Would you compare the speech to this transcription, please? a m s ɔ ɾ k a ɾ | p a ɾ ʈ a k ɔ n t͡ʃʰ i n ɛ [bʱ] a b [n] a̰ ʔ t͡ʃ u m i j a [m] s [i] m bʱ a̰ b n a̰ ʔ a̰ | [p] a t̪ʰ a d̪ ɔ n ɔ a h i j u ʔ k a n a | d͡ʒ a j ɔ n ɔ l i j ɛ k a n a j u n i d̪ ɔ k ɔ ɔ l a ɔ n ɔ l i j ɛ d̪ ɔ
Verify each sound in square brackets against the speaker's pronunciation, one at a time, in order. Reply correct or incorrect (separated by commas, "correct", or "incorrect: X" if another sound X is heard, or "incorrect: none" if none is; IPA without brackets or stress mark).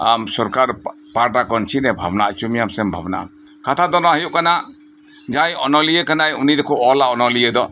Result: correct, correct, correct, incorrect: ɛ, incorrect: k